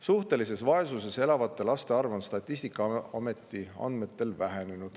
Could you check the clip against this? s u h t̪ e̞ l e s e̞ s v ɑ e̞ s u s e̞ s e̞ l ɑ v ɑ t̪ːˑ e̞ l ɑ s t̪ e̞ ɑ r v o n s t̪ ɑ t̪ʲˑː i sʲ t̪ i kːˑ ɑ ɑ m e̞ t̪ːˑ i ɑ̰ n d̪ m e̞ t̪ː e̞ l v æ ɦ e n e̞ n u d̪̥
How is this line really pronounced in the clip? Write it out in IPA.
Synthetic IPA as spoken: s u h t̪ e̞ l i s e̞ s v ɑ e̞ s u s e̞ s e̞ l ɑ v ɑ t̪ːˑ e̞ l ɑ s t̪ e̞ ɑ r v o n s t̪ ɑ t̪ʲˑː i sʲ t̪ i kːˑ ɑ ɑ m e̞ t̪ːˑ i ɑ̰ n d̪ m e̞ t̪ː e̞ l v æ ɦ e n e̞ n u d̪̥